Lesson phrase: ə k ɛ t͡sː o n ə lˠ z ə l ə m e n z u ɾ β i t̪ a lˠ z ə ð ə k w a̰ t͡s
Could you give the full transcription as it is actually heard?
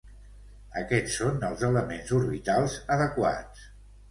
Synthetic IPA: ə k ɛ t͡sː o n ə lˠ z ə l ə m e n z u ɾ β i t̪ a lˠ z ə ð ə k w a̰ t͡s

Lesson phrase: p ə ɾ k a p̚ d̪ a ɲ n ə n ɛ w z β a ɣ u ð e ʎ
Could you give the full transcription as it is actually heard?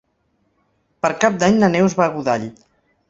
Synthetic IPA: p ə ɾ k a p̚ d̪ a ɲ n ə n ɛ w z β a ɣ u ð a ʎ

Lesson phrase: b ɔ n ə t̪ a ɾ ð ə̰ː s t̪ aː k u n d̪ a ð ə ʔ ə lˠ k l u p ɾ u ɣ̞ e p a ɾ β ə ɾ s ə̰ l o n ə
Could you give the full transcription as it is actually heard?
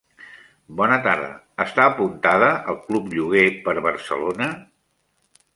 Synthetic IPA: b ɔ n ə t̪ a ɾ ð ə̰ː s t̪ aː p u n t̪ a ð ə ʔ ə lˠ k l u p ʎ u ɣ̞ e p ə ɾ β ə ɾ s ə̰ l o n ə

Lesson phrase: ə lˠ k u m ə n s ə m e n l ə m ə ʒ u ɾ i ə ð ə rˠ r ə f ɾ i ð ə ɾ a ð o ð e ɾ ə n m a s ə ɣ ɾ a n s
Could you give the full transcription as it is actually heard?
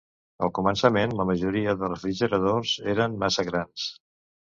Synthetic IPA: ə lˠ k u m ə n s ə m e n l ə m ə ʒ u ɾ i ə ð ə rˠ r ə f ɾ i ʒ ə ɾ ə ð o z e ɾ ə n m a s ə ɣ ɾ a n s

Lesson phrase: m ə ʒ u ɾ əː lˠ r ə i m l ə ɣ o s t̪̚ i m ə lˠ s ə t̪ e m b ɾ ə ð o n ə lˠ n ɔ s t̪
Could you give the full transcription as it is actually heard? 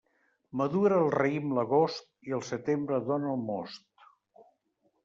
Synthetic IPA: m ə ð u ɾ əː lˠ r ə i m l ə ɣ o s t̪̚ i ə lˠ s ə t̪ e m b ɾ ə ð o n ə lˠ m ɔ s t̪

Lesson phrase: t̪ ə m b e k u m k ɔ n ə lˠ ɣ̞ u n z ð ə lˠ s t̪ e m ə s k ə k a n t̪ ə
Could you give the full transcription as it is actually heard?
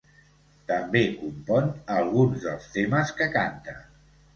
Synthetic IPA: t̪ ə m b e k u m p ɔ n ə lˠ ɣ̞ u n z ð ə lˠ s t̪ e m ə s k ə k a n t̪ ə

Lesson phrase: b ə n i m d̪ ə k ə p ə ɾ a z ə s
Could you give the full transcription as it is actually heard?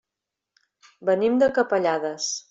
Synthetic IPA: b ə n i m d̪ ə k ə p ə ʎ a ð ə s

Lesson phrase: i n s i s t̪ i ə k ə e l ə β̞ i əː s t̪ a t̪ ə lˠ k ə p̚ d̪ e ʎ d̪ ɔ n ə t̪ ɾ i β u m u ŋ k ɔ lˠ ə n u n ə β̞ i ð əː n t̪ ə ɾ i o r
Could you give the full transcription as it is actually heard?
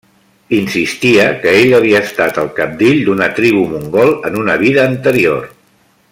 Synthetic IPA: i n s i s t̪ i ə k ə e ʎ ə β̞ i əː s t̪ a t̪ ə lˠ k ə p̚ d̪ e ʎ d̪ u n ə t̪ ɾ i β u m u ŋ ɡ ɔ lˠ ə n u n ə β̞ i ð əː n t̪ ə ɾ i o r

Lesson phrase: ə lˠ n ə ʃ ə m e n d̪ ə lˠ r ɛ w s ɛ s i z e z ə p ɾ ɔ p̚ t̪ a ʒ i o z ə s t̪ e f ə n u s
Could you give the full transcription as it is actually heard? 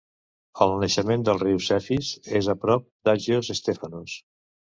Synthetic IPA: ə lˠ n ə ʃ ə m e n d̪ ə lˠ r i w s ɛ f i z e z ə p ɾ ɔ p̚ d̪ a ʒ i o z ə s t̪ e f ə n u s

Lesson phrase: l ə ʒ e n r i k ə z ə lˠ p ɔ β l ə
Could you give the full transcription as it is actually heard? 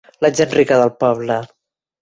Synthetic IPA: l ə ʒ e n r i k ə ð ə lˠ p ɔ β l ə

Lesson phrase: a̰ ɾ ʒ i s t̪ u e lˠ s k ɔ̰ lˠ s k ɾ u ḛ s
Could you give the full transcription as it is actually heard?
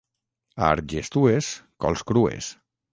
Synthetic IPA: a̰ ɾ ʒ e s t̪ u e s k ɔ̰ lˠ s k ɾ u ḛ s

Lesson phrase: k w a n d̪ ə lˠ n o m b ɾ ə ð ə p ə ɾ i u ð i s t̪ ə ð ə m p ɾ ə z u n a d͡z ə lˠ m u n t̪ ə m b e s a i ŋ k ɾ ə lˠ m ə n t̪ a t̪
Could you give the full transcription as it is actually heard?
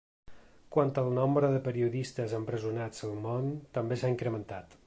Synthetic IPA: k w a n t̪ ə lˠ n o m b ɾ ə ð ə p ə ɾ i u ð i s t̪ ə z ə m p ɾ ə z u n a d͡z ə lˠ m o n t̪ ə m b e s a i ŋ k ɾ ə m ə n t̪ a t̪

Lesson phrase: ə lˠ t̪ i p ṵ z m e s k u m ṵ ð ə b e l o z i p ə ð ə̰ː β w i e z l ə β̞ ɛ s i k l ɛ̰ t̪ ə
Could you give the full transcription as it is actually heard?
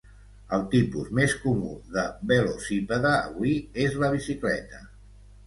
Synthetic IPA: ə lˠ t̪ i p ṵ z m e s k u m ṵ ð ə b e l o s i p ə ð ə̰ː β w i e z l ə β̞ i s i k l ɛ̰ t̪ ə

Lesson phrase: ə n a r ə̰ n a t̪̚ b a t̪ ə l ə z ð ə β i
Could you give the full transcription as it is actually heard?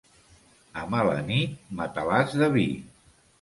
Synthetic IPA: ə m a l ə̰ n i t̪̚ m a t̪ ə l a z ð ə β i

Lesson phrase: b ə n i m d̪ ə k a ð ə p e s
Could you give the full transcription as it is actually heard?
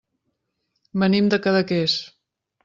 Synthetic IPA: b ə n i m d̪ ə k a ð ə k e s

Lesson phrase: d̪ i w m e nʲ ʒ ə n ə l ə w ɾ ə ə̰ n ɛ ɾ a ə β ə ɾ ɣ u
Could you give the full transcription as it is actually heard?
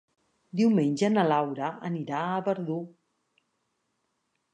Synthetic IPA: d̪ i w m e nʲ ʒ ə n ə l a w ɾ ə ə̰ n i ɾ a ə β ə ɾ ð u

